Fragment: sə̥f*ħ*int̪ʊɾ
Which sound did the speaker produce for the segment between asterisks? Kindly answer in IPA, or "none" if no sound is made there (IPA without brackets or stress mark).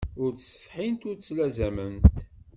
ħ